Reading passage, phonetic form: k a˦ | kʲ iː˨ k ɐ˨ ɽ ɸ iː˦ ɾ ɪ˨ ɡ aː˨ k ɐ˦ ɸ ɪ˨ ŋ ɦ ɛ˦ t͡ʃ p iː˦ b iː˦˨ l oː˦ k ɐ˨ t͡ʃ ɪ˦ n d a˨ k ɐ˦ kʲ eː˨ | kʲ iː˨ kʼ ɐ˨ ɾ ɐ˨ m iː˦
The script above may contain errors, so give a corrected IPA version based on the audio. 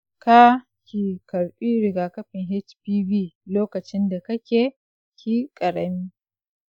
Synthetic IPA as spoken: k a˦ | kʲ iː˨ k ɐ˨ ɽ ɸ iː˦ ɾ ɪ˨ ɡ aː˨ k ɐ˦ ɸ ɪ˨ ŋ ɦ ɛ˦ t͡ʃ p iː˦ b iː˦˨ l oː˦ k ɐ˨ t͡ʃ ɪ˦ n d a˨ k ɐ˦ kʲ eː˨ | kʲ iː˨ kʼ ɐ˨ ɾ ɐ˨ m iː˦